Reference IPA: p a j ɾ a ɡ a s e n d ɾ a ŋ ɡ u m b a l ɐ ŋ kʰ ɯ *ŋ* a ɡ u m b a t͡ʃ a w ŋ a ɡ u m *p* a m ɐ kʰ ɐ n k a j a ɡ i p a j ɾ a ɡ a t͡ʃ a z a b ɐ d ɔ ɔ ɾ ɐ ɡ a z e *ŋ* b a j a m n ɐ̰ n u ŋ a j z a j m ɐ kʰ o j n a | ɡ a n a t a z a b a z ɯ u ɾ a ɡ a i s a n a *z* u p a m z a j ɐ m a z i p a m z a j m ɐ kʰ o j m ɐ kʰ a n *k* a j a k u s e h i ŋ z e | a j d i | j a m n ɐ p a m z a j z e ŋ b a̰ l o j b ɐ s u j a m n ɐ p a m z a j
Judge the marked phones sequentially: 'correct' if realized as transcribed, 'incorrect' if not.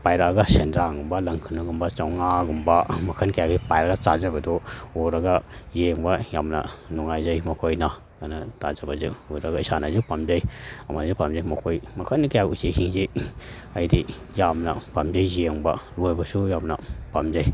incorrect: n, incorrect: b, correct, correct, correct

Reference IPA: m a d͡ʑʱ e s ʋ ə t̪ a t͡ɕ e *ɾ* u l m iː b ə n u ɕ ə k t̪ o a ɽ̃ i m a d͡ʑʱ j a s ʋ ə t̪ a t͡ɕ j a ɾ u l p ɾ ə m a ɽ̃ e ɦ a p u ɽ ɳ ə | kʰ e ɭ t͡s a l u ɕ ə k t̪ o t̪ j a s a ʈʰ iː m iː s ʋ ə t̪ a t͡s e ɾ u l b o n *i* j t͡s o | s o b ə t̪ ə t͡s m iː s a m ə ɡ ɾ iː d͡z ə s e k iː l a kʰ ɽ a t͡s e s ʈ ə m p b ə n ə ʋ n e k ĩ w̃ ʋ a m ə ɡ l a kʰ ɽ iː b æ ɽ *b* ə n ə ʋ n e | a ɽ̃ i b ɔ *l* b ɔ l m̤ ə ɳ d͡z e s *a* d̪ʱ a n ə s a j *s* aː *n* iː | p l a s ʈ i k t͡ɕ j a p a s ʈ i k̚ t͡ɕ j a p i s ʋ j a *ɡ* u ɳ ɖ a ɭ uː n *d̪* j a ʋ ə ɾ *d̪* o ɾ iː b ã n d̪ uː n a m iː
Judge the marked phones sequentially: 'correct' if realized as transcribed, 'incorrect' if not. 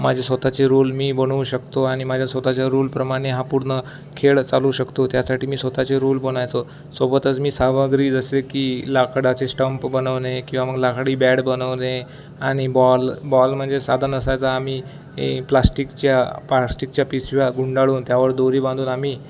correct, incorrect: a, correct, correct, correct, incorrect: t͡s, incorrect: m, correct, incorrect: t̪, correct

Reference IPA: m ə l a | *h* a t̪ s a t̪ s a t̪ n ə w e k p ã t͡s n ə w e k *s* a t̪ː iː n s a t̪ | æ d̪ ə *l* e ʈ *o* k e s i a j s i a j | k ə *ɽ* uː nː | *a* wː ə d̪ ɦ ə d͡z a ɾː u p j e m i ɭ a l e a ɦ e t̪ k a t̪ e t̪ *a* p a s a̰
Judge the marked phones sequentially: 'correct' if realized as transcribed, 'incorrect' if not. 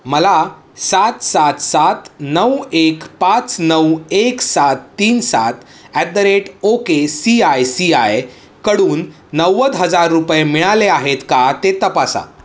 incorrect: s, correct, incorrect: ɾ, correct, correct, incorrect: ə, incorrect: ə

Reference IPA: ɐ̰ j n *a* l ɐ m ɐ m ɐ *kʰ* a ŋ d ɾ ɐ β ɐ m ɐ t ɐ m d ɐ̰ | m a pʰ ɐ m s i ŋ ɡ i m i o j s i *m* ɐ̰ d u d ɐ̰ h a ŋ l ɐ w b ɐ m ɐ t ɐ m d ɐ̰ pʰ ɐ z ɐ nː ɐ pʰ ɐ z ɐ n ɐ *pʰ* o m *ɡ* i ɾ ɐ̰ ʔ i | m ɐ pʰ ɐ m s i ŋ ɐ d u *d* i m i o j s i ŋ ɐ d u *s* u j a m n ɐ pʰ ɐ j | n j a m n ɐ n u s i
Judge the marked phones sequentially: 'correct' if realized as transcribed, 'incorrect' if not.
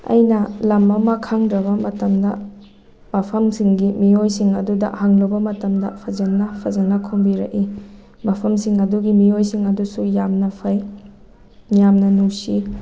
incorrect: ɐ, correct, incorrect: ŋ, incorrect: kʰ, incorrect: b, incorrect: ɡ, correct

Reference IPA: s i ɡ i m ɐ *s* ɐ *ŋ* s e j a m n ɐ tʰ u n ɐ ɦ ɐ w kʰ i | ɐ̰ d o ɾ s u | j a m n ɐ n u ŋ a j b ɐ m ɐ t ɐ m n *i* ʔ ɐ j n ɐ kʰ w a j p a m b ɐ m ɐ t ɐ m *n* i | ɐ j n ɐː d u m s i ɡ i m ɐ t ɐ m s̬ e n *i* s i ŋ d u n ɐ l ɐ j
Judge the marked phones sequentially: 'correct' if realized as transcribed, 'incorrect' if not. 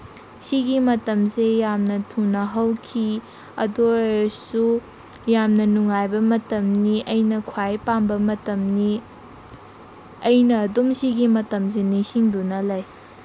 incorrect: t, incorrect: m, correct, correct, correct

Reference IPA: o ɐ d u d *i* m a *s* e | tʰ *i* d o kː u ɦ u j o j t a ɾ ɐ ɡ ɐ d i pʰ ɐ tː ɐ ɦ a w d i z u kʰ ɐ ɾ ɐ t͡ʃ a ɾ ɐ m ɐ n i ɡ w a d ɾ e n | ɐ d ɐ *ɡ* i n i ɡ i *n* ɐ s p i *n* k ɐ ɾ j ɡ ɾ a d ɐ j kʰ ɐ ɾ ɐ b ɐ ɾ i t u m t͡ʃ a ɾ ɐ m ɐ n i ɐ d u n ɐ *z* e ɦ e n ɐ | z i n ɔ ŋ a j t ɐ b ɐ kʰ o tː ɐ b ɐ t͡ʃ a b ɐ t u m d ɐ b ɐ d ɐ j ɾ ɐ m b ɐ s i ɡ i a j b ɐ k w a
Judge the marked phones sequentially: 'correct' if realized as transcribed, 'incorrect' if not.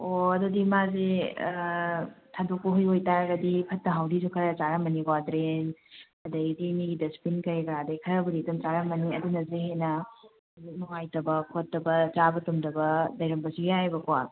correct, incorrect: z, incorrect: a, incorrect: d, incorrect: d, correct, correct

